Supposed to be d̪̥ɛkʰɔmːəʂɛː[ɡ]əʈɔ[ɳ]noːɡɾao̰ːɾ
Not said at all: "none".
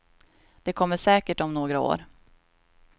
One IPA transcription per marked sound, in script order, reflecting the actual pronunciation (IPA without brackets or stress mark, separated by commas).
k, m